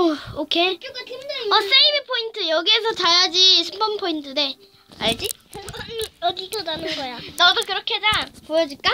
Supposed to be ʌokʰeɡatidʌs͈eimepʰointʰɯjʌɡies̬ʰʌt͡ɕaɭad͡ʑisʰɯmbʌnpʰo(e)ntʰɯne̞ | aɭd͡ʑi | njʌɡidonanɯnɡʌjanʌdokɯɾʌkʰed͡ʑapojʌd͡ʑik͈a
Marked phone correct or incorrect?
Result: incorrect